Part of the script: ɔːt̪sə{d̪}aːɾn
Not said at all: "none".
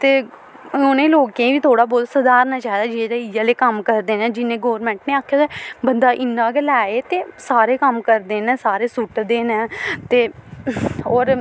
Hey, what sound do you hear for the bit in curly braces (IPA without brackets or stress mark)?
d̪